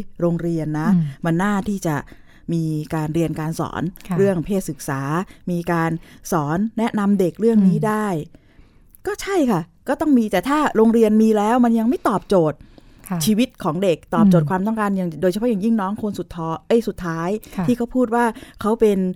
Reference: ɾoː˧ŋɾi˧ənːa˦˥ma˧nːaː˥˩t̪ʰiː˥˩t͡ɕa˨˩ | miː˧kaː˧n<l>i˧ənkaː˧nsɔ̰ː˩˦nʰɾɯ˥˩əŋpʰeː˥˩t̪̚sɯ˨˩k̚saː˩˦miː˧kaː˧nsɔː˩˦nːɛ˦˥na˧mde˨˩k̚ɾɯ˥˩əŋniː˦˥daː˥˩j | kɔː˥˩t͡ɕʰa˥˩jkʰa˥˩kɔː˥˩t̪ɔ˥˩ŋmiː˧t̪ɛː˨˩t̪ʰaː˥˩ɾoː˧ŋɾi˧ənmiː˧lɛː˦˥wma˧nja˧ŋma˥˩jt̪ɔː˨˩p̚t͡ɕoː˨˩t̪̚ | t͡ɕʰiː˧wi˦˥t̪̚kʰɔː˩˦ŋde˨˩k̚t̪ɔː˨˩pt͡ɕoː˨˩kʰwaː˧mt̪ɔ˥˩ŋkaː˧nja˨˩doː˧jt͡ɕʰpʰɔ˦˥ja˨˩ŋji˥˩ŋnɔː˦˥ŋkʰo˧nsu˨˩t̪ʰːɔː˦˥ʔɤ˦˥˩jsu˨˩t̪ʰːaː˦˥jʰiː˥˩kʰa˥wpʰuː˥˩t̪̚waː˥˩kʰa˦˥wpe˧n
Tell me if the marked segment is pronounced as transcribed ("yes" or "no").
no